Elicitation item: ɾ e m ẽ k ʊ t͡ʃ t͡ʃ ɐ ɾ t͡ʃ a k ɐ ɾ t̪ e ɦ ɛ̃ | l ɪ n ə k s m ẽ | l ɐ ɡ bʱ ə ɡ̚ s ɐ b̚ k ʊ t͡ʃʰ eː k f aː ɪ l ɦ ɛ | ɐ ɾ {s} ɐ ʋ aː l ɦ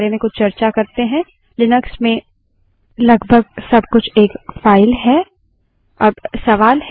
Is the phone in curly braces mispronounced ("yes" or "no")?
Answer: no